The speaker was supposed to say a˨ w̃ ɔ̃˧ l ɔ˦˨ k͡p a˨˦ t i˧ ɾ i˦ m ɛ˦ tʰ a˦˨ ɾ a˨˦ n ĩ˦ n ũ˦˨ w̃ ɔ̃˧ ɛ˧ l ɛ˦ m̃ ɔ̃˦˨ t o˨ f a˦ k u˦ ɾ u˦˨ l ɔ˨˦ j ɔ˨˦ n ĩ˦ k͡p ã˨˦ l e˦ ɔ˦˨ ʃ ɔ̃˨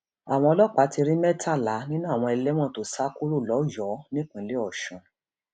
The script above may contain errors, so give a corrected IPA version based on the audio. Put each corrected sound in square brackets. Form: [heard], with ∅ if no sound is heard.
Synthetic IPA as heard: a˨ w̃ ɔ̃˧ l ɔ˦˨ k͡p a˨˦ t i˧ ɾ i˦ m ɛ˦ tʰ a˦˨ [l] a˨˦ n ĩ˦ n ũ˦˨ w̃ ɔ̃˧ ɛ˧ l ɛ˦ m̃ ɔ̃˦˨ t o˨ [s] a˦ k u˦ ɾ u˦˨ l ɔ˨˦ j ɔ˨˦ n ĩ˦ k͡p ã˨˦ l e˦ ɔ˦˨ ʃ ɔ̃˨